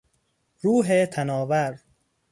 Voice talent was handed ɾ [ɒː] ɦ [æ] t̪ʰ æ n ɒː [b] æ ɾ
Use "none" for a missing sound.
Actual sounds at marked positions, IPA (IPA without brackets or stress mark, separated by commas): uː, e, v